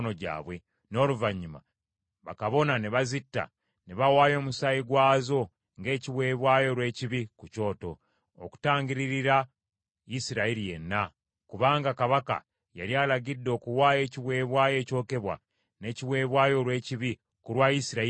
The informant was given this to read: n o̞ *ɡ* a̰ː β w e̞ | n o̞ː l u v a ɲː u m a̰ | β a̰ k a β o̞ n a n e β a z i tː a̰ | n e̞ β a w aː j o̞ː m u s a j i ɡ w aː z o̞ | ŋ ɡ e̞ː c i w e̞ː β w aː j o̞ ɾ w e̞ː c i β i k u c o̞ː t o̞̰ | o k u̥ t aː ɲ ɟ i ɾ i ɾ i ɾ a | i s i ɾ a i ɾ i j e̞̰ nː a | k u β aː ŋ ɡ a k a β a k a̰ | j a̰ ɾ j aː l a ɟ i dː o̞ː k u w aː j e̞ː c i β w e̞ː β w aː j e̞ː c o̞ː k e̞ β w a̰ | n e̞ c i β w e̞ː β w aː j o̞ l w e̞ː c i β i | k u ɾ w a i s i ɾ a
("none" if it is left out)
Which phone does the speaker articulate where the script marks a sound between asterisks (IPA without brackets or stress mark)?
ɟ